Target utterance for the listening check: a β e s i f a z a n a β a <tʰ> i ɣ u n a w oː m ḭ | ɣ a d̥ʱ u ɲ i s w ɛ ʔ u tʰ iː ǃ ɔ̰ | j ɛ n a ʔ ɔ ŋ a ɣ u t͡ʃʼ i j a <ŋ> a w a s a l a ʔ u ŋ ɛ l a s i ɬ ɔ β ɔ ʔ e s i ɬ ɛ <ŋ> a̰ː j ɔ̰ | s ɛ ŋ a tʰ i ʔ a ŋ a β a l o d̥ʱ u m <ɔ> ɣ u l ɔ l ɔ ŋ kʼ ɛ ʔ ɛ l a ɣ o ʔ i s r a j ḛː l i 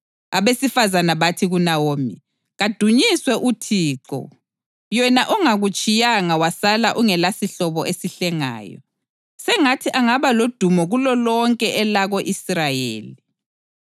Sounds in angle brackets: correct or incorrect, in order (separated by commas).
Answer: correct, correct, correct, correct